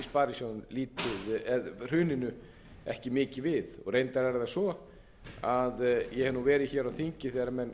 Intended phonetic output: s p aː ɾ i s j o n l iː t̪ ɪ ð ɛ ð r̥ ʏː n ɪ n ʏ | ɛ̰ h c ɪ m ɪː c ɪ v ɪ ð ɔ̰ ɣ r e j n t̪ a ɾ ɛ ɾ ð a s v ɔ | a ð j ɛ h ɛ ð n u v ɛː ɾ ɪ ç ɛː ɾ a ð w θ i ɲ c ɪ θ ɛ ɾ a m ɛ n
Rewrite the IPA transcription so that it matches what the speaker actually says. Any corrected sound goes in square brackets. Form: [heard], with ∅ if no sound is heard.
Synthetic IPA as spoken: s p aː ɾ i s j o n l iː t̪ ɪ ð ɛ ð r̥ ʏː n ɪ n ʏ | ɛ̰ h c ɪ m ɪː c ɪ v ɪ ð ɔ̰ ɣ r e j n t̪ a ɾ ɛ ɾ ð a s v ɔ | a ð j ɛ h ɛ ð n u v ɛː ɾ ɪ ç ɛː ɾ a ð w θ i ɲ c ɪ θ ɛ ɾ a m ɛ n